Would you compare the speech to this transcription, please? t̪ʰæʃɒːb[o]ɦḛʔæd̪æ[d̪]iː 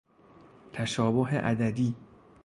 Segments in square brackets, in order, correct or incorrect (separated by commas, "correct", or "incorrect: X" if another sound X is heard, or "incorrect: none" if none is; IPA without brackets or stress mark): correct, correct